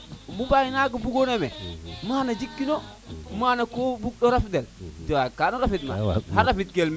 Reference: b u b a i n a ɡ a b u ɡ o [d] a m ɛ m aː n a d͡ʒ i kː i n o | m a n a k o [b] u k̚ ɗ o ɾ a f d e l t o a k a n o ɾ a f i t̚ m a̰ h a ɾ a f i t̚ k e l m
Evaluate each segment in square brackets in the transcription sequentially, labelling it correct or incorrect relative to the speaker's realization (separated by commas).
incorrect, correct